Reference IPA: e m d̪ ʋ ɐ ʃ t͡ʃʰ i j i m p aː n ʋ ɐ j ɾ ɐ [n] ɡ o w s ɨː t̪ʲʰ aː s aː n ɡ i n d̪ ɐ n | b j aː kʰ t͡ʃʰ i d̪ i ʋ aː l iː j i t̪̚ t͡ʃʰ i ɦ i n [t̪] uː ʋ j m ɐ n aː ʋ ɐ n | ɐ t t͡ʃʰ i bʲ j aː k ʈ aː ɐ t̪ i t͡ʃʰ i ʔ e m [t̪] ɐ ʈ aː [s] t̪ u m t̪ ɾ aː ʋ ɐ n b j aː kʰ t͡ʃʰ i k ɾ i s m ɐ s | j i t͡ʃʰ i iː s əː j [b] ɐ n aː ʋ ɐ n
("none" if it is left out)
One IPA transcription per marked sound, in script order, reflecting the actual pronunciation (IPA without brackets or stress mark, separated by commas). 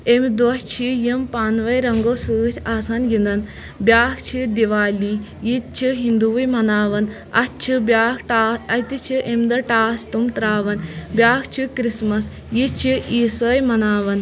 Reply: ŋ, d̪, d̪, s, m